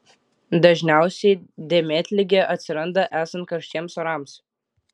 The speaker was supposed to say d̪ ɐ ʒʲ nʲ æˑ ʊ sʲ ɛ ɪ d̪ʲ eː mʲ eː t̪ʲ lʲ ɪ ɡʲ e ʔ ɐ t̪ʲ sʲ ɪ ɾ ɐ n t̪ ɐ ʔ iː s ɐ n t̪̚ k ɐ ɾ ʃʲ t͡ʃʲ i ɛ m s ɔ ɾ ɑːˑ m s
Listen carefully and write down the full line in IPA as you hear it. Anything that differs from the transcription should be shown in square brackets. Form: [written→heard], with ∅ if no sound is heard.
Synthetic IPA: d̪ ɐ ʒʲ nʲ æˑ ʊ sʲ ɛ ɪ d̪ʲ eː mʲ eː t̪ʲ lʲ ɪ ɡʲ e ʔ ɐ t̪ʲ sʲ ɪ ɾ ɐ n [t̪→d̪] ɐ ʔ [iː→æː] s ɐ n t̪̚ k ɐ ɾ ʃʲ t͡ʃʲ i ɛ m s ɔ ɾ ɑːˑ m s